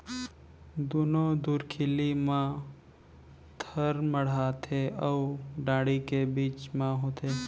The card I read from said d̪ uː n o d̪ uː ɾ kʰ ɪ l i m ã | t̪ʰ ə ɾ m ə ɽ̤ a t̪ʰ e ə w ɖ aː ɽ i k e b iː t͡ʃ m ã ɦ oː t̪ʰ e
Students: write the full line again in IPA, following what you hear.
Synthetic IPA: d̪ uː n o d̪ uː ɾ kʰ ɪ l i m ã | t̪ʰ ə ɾ m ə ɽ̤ a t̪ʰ e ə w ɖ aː ɽ i k e b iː t͡ʃ m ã ɦ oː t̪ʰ e